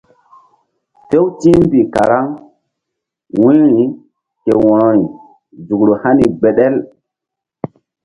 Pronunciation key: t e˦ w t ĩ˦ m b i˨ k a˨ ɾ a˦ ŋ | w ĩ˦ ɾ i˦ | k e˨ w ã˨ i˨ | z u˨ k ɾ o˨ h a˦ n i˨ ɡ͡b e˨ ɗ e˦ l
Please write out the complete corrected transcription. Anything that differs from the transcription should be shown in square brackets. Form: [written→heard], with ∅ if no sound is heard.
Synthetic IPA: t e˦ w t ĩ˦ m b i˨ k a˨ ɾ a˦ ŋ | w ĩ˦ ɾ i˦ | k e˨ w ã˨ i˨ | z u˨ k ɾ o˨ h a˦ n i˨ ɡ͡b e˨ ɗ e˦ l